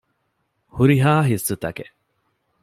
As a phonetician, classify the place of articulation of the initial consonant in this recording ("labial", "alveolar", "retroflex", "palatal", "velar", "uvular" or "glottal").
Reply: glottal